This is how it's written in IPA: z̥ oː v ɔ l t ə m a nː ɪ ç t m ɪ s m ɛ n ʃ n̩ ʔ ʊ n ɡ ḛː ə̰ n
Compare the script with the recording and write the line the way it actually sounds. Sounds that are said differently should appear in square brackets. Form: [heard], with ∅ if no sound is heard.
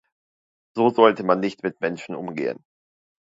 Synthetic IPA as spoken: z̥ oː [z] ɔ l t ə m a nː ɪ ç t m ɪ [t] m ɛ n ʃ n̩ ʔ ʊ [m] ɡ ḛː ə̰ n